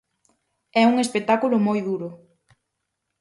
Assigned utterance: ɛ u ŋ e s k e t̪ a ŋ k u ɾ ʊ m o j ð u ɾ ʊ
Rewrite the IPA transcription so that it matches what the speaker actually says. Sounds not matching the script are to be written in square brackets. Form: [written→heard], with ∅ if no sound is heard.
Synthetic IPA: ɛ u ŋ e s [k→p] e t̪ a [ŋ→∅] k u [ɾ→l] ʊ m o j ð u ɾ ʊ